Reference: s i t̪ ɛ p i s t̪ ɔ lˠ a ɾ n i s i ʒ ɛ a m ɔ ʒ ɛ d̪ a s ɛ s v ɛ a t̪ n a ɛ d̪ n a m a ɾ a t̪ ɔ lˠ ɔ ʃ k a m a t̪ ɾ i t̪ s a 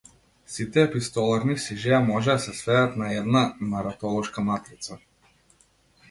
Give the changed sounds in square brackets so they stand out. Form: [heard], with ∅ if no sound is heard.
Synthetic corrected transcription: s i t̪ ɛ p i s t̪ ɔ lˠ a ɾ n i s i ʒ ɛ a m ɔ ʒ ɛ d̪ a s ɛ s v ɛ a t̪ n a ɛ d̪ n a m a ɾ a t̪ ɔ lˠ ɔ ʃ k a m a t̪ ɾ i t̪ s a